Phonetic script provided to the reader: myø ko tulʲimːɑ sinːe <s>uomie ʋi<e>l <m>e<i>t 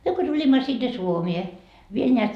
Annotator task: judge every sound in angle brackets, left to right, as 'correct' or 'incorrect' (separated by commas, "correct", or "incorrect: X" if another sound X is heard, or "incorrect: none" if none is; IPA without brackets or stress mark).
correct, correct, incorrect: n, incorrect: æ